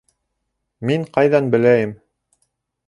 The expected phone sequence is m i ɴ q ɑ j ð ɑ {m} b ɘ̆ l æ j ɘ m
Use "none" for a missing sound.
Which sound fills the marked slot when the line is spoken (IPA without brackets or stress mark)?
n